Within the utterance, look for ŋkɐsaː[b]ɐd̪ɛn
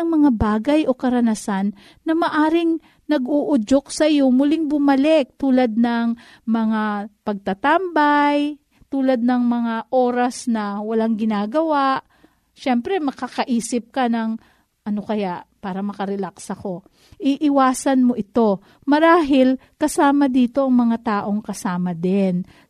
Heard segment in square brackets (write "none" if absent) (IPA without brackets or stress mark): m